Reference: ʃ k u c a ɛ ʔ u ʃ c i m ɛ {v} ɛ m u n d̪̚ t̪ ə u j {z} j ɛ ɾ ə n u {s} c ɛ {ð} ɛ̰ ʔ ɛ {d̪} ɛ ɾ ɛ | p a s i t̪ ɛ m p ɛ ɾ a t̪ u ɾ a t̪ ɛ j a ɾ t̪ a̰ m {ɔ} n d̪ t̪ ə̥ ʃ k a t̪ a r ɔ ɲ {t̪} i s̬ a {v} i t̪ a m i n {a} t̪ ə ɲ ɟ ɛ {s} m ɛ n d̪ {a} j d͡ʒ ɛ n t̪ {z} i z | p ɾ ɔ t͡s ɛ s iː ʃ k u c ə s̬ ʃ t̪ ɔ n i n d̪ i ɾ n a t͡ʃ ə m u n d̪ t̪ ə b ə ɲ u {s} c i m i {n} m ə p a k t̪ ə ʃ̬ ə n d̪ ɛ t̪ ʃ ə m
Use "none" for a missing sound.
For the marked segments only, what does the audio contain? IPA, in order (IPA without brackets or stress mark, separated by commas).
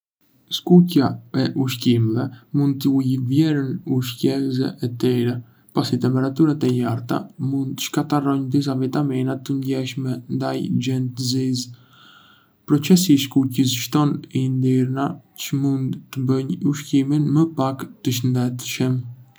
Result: v, v, ʃ, z, t̪, u, d̪, v, a, ʃ, a, z, ʃ, n